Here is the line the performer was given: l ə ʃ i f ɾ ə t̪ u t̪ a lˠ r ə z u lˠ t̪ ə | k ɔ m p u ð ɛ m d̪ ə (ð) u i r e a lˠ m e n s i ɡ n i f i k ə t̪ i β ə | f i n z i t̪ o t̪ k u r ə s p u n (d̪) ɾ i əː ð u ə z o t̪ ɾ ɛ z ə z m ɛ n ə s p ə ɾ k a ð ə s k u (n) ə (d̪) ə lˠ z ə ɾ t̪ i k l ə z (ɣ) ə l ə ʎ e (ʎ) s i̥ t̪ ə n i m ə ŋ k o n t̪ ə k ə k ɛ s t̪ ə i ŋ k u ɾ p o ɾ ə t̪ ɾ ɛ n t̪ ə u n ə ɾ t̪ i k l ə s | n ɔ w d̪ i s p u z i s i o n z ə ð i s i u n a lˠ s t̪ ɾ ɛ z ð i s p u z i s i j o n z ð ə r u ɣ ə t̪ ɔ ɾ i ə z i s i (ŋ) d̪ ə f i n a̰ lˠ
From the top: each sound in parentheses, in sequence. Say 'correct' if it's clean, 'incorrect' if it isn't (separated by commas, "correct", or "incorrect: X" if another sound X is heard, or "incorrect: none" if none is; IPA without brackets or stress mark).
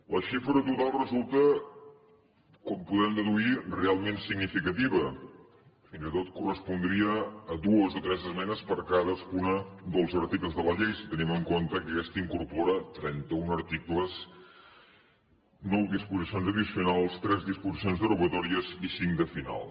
correct, correct, correct, correct, incorrect: ð, incorrect: j, correct